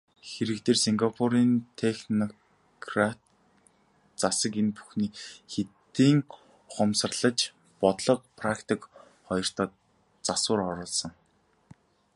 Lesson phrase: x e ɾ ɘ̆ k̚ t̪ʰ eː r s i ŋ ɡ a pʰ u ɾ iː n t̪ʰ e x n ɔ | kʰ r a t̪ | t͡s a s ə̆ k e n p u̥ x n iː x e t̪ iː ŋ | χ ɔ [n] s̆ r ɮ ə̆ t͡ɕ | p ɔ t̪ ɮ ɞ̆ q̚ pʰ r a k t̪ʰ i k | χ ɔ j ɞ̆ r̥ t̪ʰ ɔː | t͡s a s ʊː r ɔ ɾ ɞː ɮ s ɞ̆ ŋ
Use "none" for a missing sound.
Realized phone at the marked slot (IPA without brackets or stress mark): m